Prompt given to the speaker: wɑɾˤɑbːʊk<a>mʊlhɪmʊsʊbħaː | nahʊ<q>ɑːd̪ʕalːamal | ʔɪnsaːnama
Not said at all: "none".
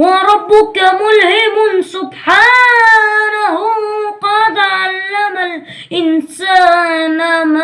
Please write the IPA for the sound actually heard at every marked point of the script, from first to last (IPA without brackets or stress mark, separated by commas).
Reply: a, q